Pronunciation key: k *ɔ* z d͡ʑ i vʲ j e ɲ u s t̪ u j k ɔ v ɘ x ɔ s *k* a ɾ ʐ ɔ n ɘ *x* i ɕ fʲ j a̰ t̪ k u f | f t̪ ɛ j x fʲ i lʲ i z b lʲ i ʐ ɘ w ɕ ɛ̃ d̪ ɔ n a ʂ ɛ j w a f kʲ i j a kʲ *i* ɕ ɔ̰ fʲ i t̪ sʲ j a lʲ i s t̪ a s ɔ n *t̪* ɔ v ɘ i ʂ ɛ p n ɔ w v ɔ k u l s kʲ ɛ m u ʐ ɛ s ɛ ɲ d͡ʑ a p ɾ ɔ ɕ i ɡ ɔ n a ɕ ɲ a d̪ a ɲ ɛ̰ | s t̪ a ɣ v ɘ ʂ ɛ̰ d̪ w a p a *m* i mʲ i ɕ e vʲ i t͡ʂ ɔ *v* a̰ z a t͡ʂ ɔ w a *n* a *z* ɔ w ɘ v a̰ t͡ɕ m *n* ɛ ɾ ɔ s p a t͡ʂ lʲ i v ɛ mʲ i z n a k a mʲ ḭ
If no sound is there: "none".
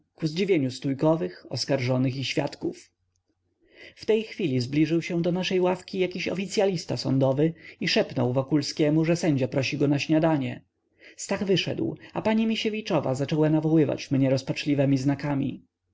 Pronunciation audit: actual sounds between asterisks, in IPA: u, k, x, i, d̪, ɲ, v, n, v, ɲ

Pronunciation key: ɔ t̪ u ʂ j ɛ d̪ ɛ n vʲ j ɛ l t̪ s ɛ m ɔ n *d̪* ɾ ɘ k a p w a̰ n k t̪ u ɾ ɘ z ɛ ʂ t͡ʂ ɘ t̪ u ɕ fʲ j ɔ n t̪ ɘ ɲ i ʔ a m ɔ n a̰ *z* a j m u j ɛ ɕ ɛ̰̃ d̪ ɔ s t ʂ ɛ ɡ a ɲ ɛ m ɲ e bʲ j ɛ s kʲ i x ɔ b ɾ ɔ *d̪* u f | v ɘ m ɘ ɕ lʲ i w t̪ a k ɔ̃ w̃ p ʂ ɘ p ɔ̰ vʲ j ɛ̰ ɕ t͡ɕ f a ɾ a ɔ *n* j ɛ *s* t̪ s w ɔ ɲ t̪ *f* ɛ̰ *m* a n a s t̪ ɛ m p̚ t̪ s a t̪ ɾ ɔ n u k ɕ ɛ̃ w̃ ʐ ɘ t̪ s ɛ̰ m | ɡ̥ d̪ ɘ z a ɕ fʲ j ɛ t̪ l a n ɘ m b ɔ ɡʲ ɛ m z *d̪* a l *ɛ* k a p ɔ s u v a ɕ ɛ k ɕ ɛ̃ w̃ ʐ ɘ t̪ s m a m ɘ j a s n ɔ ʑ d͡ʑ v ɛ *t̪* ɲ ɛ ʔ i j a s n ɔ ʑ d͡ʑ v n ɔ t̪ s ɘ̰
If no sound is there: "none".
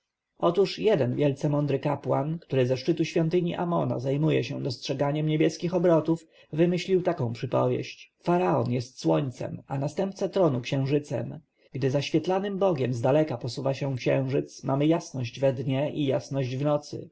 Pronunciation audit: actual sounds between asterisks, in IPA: d̪, z, t̪, n, s, s, m, d̪, ɛ, d̪

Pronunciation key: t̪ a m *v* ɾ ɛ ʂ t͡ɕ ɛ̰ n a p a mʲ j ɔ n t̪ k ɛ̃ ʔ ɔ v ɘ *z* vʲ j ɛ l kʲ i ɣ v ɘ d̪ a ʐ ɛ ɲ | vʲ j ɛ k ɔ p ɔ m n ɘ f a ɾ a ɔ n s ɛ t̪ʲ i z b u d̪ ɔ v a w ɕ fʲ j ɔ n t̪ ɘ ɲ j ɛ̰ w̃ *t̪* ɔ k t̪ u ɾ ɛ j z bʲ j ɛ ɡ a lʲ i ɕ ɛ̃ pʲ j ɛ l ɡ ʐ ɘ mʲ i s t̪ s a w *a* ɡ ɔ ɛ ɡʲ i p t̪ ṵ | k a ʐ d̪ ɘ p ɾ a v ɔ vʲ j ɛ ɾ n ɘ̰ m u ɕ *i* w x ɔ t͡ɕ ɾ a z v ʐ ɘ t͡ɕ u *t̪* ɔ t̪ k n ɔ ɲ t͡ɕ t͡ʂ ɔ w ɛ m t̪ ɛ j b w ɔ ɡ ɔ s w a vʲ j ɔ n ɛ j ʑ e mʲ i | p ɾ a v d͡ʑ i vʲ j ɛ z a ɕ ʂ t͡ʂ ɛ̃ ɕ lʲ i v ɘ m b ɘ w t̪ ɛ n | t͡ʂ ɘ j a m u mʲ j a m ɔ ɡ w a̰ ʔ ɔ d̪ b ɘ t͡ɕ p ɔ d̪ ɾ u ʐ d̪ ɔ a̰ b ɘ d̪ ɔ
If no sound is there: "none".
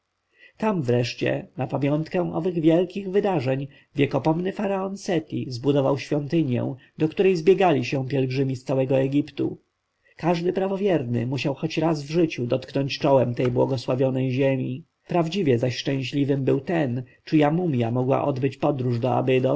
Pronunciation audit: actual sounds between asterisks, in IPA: v, ɣ, d̪, ɛ, a, d̪

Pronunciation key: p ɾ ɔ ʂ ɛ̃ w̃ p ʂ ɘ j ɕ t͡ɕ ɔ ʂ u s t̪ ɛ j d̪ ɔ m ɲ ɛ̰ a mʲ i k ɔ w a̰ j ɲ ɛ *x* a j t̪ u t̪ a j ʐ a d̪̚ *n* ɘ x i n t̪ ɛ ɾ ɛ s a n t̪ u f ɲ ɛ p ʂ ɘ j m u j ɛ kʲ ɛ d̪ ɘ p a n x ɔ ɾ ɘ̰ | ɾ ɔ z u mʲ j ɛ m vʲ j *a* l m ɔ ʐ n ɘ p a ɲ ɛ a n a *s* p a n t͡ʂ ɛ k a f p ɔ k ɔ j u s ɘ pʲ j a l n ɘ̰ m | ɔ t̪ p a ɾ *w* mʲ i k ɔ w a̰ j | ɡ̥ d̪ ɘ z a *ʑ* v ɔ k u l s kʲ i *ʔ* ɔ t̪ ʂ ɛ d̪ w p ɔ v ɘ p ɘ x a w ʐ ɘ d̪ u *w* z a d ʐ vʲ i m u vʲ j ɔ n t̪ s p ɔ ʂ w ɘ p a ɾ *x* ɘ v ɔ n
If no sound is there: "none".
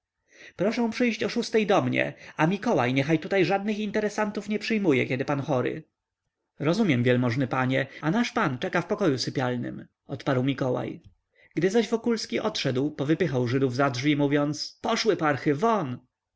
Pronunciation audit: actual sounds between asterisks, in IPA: x, n, ɛ, ʂ, w, ʑ, ʔ, v, x

